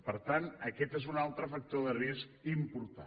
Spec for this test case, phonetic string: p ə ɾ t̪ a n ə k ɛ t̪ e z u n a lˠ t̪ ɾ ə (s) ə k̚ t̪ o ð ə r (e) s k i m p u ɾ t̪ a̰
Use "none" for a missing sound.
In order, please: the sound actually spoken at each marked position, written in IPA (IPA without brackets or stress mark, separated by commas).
f, i